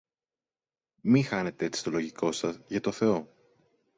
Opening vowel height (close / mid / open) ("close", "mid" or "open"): close